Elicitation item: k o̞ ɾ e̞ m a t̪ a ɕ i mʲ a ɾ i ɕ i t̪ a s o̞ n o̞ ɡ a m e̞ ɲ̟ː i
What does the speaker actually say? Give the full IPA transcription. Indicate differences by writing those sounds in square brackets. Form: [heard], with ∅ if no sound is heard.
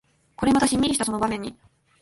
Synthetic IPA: k o̞ ɾ e̞ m a t̪ a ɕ i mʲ [i] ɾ i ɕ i t̪ a s o̞ n o̞ [b] a m [ẽ̞] ɲ̟ː i

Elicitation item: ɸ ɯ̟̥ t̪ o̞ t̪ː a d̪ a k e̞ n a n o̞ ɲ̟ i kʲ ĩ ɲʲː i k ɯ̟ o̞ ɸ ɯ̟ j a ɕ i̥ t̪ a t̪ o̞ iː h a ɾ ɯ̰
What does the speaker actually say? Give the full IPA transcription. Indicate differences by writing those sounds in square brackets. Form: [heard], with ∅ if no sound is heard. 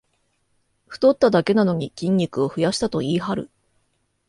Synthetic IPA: ɸ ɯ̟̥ t̪ o̞ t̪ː a d̪ a k e̞ n a n o̞ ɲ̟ i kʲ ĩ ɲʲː i k ɯ̟ o̞ ɸ ɯ̟ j a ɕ i̥ t̪ a t̪ o̞ iː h a ɾ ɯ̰

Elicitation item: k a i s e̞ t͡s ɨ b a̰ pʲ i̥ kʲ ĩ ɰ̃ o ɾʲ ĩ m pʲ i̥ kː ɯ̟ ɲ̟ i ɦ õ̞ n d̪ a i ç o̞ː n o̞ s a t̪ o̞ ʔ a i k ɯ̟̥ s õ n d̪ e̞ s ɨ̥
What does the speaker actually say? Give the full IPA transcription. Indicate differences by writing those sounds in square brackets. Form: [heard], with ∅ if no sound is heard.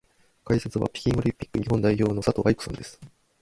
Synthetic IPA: k a i s e̞ t͡s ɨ [β] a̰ pʲ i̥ kʲ ĩ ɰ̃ o ɾʲ ĩ m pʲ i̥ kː ɯ̟ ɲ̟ i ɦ õ̞ n d̪ a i ç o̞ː n o̞ s a t̪ o̞ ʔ a i k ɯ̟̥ s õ n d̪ e̞ s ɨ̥

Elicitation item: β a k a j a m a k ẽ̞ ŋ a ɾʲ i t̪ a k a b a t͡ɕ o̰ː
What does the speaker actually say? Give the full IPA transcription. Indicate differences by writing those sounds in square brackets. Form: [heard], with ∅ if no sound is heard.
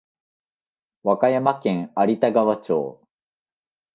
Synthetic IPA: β a k a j a m a k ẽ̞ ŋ a ɾʲ i t̪ a [ɡ] a [β] a t͡ɕ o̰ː

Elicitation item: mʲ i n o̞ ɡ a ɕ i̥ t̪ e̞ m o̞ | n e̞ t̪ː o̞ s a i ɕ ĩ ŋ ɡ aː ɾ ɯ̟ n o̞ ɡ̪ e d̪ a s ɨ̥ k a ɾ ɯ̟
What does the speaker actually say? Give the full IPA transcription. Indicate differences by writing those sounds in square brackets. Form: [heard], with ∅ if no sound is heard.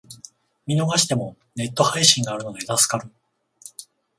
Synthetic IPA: mʲ i n o̞ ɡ a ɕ i̥ t̪ e̞ m o̞ | n e̞ t̪ː o̞ [h] a i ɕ ĩ ŋ ɡ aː ɾ ɯ̟ n o̞ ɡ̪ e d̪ a s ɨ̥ k a ɾ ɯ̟

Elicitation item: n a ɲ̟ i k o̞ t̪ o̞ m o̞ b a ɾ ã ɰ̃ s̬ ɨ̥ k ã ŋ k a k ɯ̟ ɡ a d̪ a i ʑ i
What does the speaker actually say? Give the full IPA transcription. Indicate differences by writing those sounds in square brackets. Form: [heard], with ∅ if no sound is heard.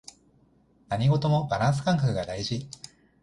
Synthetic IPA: n a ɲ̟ i [ɡ] o̞ t̪ o̞ m o̞ b a ɾ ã ɰ̃ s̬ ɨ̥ k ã ŋ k a k ɯ̟ ɡ a d̪ a i ʑ i

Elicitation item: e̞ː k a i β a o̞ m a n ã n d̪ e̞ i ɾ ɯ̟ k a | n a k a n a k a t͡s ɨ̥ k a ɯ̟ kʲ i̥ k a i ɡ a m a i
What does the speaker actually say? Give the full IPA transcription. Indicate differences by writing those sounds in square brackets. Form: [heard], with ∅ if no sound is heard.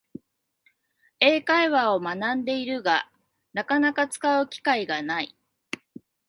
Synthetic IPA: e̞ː k a i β a o̞ m a n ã n d̪ e̞ i ɾ ɯ̟ [ɡ] a | n a k a n a k a t͡s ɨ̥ k a ɯ̟ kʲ i̥ k a i ɡ a [n] a i

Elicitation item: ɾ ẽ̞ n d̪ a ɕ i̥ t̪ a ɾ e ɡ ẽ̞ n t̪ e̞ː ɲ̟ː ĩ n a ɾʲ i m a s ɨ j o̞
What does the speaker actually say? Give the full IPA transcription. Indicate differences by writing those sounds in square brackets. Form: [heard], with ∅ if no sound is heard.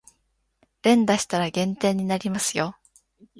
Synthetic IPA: ɾ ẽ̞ n d̪ a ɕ i̥ t̪ a ɾ [a] ɡ ẽ̞ n t̪ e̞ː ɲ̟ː [i] n a ɾʲ i m a s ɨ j o̞

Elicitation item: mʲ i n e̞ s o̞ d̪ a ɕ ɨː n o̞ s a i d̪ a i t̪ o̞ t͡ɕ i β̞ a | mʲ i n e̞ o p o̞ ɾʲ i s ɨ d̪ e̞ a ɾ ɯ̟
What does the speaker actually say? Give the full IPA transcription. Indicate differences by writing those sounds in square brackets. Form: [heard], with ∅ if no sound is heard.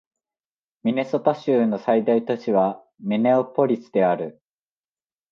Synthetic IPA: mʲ i n e̞ s o̞ [t̪] a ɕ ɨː n o̞ s a i d̪ a i t̪ o̞ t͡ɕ i β̞ a | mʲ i n e̞ o p o̞ ɾʲ i s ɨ d̪ e̞ a ɾ ɯ̟

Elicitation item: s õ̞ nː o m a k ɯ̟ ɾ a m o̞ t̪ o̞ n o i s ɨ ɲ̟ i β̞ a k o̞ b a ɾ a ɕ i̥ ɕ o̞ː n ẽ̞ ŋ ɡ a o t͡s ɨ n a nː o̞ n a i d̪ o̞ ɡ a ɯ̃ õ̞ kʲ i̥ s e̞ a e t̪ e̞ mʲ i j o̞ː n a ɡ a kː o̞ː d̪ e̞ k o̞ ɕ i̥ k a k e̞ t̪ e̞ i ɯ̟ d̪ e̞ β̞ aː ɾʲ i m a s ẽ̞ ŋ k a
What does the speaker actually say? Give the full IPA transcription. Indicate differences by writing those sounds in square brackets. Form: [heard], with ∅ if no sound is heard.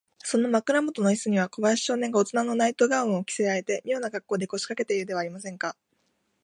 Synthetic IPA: s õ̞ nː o m a k ɯ̟ ɾ a m o̞ t̪ o̞ n o i s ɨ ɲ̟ i β̞ a k o̞ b a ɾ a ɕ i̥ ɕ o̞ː n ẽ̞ ŋ ɡ a o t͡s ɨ n a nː o̞ n a i [t̪] o̞ ɡ a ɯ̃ [o̞] kʲ i̥ s e̞ a e t̪ e̞ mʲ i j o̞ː n a ɡ a kː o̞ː d̪ e̞ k o̞ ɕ i̥ k a k e̞ t̪ e̞ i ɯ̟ d̪ e̞ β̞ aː ɾʲ i m a s ẽ̞ ŋ k a

